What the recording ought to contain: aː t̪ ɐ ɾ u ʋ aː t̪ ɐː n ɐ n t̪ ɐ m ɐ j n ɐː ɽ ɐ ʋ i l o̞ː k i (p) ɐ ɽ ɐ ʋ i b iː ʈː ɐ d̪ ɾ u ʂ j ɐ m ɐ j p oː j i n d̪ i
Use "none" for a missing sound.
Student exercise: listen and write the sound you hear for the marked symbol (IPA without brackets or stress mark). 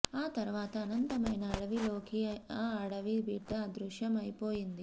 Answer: none